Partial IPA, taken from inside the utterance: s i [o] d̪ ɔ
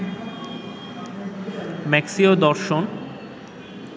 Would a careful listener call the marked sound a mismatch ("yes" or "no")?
no